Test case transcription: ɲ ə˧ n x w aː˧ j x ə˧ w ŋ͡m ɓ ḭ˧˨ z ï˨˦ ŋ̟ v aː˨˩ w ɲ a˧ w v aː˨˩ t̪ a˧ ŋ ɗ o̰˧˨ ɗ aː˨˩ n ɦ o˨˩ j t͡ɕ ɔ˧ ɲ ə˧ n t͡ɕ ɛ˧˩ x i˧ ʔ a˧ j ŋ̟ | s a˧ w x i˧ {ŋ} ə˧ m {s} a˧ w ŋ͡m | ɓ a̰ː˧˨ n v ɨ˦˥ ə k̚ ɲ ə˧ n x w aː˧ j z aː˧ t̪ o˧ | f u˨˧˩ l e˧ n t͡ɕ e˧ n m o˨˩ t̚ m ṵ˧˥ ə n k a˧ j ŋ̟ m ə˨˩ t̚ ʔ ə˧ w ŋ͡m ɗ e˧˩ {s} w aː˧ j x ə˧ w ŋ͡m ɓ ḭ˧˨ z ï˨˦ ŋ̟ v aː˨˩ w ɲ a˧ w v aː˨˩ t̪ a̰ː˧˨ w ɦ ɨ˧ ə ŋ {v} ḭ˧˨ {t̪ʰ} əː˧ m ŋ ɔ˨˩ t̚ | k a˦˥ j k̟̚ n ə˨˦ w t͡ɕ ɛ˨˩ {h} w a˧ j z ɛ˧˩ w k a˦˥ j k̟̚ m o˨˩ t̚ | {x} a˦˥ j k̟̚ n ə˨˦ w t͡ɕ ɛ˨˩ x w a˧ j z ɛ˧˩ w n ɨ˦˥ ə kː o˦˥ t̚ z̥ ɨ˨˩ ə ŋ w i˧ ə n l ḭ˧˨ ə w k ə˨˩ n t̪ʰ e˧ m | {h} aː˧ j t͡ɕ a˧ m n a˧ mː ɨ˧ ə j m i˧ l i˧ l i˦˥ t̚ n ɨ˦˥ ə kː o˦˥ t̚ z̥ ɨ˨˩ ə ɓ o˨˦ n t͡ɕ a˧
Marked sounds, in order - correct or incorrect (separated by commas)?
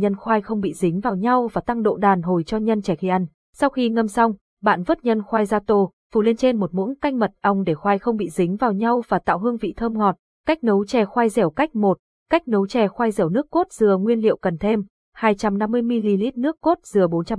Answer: correct, correct, incorrect, correct, correct, incorrect, incorrect, correct